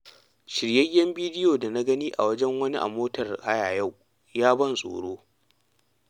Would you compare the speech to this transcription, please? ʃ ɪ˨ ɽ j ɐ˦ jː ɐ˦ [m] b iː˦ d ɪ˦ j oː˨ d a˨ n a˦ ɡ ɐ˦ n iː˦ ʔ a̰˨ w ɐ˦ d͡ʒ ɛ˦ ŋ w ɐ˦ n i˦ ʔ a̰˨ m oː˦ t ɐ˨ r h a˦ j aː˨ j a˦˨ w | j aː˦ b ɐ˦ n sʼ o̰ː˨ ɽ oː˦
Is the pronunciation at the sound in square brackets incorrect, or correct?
correct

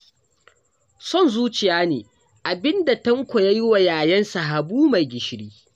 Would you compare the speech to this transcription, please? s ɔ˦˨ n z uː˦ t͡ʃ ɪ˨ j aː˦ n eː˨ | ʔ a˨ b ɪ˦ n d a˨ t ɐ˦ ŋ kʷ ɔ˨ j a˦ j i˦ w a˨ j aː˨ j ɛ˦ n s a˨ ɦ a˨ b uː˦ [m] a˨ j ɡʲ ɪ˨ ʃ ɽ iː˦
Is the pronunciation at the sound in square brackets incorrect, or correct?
correct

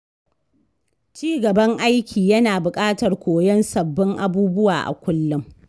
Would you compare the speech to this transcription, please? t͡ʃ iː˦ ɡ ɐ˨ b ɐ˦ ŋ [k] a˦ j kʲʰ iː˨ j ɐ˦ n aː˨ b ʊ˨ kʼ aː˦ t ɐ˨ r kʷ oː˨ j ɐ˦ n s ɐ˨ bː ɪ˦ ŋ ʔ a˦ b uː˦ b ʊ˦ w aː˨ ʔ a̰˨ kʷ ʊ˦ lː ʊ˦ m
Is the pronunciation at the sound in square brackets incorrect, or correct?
incorrect: ʔ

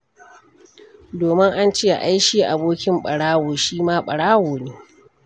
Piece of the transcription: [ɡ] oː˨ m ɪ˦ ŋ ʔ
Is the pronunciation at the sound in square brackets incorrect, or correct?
incorrect: d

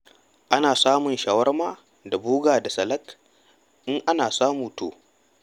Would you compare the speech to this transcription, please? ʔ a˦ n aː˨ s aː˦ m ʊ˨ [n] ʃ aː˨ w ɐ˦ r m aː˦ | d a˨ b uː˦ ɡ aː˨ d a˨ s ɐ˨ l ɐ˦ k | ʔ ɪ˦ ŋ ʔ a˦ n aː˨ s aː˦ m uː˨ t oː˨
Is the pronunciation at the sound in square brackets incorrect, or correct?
correct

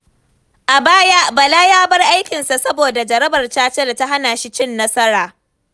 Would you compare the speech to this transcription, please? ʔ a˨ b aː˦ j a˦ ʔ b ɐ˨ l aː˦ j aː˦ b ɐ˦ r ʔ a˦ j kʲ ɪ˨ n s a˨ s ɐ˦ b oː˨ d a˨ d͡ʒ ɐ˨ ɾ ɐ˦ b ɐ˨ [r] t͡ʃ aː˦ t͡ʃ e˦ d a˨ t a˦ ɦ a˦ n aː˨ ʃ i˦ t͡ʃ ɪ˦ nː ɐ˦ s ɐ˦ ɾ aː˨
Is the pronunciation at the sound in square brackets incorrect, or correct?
correct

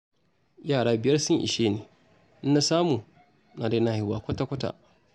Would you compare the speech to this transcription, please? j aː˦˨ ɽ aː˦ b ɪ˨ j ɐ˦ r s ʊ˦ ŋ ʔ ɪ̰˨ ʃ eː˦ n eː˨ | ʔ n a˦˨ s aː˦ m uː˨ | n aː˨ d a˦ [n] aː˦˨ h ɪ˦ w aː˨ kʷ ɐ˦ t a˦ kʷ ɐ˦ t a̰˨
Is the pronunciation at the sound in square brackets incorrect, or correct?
correct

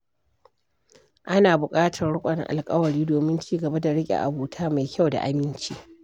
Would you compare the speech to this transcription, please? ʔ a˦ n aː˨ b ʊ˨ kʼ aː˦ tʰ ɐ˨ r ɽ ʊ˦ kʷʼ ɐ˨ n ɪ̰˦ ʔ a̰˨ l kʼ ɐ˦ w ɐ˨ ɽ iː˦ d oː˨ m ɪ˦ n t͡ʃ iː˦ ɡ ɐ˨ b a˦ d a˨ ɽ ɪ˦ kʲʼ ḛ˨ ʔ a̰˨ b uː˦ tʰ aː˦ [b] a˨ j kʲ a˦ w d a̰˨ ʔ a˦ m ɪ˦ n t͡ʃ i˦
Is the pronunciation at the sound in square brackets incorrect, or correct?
incorrect: m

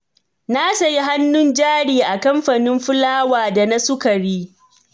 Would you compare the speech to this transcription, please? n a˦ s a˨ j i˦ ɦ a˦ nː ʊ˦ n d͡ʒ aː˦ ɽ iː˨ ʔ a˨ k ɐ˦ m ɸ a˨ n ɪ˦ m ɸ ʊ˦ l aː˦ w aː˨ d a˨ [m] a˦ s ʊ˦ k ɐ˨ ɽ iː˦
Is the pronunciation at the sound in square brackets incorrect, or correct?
incorrect: n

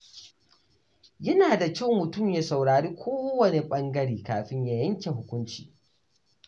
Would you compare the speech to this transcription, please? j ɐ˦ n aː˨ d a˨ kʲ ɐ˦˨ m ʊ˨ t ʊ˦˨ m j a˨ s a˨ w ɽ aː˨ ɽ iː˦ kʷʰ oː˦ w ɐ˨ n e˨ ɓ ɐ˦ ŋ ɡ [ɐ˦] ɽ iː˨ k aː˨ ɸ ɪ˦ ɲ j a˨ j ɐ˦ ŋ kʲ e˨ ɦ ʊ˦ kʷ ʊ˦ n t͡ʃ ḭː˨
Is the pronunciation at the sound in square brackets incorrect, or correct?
correct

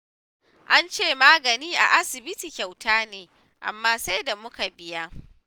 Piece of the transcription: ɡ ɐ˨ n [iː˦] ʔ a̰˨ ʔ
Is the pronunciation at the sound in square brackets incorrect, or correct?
correct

